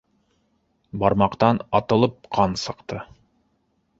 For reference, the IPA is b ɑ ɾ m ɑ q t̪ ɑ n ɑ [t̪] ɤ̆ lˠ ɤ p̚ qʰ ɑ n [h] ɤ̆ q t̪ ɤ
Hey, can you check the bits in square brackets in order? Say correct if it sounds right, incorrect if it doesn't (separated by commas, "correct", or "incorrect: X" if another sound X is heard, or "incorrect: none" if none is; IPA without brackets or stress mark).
correct, incorrect: s